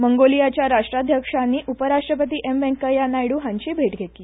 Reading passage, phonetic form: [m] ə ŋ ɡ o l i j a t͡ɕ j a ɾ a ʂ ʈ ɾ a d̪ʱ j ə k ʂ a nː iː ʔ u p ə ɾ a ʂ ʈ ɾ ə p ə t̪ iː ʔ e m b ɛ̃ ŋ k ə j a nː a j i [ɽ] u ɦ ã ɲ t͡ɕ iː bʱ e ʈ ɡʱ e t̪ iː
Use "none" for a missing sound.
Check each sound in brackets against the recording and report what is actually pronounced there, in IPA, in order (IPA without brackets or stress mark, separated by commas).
m, ɽ